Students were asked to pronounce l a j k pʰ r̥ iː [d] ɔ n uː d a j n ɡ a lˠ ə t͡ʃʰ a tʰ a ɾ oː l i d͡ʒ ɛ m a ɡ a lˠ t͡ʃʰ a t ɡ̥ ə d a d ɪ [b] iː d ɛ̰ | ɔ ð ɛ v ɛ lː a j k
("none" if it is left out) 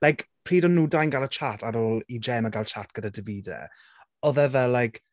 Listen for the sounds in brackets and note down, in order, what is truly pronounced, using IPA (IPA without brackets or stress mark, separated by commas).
d, v